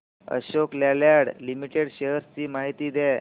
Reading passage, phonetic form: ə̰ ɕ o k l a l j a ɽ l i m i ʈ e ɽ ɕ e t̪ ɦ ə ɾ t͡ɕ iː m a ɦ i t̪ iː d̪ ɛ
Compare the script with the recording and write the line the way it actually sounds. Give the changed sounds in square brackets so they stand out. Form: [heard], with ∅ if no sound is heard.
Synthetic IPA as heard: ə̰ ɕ o k l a l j a ɽ l i m i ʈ e ɽ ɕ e [∅] ɦ ə ɾ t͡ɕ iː m a ɦ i t̪ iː d̪ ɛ